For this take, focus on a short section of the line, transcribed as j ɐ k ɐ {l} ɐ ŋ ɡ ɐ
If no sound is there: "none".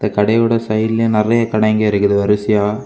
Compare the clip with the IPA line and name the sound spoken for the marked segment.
ɽ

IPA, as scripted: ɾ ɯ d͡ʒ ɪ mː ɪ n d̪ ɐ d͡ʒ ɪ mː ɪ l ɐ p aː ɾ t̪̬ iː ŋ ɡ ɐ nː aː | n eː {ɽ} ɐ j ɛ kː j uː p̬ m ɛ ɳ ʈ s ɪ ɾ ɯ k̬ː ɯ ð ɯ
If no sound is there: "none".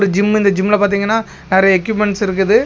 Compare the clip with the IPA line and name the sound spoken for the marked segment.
ɾ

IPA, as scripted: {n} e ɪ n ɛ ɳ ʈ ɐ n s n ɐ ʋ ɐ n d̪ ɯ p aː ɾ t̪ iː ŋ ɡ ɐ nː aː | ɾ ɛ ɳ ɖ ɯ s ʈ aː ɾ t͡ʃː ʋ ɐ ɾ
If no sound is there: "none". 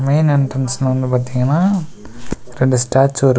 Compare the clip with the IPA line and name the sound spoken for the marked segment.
m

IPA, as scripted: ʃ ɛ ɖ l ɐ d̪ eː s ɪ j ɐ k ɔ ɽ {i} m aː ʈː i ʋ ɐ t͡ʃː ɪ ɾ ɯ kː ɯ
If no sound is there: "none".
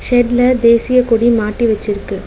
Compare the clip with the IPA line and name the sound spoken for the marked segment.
i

